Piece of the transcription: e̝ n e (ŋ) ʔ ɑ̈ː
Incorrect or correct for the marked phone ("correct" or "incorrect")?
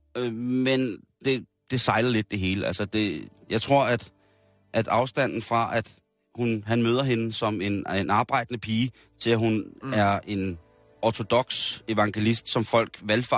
incorrect